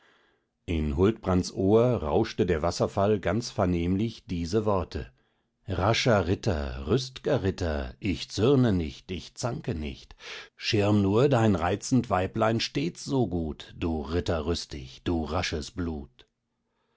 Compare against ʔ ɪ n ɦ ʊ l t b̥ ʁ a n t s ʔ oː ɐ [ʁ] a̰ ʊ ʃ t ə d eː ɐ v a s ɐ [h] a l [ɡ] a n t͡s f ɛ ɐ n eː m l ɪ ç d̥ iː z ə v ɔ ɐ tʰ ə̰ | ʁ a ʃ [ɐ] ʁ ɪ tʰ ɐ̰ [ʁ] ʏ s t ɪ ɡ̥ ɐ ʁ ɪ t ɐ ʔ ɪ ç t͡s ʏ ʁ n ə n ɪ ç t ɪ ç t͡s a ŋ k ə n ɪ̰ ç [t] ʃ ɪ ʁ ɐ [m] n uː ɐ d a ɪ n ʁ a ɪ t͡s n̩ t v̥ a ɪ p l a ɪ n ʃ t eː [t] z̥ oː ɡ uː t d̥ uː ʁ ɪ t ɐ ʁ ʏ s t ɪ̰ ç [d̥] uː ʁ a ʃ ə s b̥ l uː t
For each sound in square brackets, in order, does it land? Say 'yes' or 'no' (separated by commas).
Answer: yes, no, yes, yes, yes, yes, yes, no, yes